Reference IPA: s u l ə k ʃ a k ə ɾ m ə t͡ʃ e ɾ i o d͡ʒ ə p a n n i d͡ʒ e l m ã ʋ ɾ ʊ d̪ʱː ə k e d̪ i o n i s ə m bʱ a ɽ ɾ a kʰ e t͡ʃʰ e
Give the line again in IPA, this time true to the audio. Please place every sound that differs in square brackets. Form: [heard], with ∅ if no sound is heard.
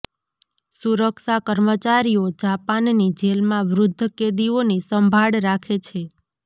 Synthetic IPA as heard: s u [ɾ] ə k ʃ a k ə ɾ m ə t͡ʃ [a] ɾ i o d͡ʒ [a] p a n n i d͡ʒ e l m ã ʋ ɾ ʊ d̪ʱː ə k e d̪ i o n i s ə m bʱ a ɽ ɾ a kʰ e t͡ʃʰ e